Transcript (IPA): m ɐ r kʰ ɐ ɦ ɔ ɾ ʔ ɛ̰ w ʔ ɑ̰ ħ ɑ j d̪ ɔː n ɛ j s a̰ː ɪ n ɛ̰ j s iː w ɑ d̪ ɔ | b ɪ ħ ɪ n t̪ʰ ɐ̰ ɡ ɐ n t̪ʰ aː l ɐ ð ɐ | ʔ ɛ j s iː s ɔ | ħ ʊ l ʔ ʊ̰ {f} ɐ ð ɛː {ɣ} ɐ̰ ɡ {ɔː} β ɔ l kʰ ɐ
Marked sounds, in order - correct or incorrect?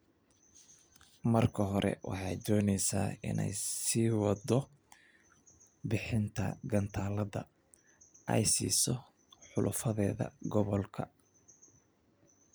correct, incorrect, incorrect

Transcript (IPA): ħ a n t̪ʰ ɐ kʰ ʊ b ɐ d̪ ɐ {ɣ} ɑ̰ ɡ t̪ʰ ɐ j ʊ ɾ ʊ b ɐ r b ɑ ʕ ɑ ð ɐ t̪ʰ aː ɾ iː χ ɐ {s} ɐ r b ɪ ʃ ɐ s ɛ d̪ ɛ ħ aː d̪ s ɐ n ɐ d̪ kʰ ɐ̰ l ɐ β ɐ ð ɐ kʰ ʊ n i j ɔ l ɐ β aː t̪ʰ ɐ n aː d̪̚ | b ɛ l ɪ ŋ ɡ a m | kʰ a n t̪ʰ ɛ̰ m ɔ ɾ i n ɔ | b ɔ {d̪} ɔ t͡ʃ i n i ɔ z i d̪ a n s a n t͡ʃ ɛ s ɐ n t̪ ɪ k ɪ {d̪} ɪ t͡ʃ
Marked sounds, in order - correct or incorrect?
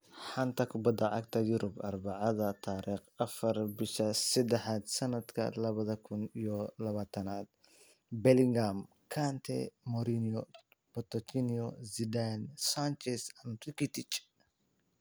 incorrect, incorrect, incorrect, incorrect

